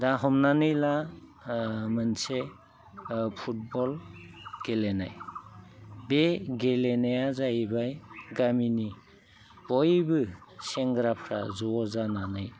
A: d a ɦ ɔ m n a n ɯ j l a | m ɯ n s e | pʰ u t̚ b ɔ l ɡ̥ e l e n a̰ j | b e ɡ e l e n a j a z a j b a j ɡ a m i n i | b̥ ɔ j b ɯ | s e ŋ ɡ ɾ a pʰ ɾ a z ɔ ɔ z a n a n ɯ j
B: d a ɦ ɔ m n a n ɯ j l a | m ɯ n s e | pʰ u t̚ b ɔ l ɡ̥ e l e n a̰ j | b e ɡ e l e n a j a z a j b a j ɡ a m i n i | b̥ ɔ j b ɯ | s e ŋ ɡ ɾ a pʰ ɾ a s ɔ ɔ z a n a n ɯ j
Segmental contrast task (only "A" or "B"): A